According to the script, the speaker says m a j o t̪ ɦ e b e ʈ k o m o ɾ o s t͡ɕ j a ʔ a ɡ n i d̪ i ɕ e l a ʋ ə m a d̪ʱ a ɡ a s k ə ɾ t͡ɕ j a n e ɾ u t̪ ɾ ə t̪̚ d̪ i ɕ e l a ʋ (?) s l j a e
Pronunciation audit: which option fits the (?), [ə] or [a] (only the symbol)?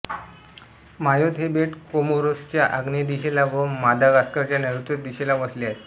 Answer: ə